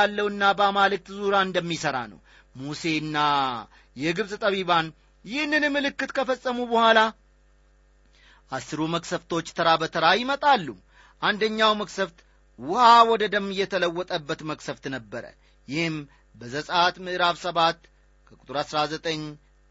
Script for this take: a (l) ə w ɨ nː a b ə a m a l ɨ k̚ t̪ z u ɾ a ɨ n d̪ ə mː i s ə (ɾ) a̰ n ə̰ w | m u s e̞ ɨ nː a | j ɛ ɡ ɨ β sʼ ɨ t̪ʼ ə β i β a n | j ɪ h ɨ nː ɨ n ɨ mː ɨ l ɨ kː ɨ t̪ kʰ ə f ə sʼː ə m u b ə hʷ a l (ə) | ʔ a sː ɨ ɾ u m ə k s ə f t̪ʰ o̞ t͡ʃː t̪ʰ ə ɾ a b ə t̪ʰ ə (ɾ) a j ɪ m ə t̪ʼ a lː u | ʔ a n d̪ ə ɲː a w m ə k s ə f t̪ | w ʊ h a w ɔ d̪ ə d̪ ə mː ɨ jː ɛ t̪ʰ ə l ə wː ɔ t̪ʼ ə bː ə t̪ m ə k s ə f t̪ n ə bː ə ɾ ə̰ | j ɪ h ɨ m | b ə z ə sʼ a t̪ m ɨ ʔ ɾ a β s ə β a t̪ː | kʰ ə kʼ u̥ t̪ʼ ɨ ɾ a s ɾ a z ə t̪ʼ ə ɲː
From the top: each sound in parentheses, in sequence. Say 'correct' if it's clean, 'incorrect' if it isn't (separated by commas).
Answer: incorrect, correct, incorrect, correct